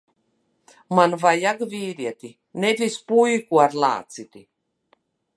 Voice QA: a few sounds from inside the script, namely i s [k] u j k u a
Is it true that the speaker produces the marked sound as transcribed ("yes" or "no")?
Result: no